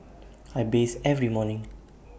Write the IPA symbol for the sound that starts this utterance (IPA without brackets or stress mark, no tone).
a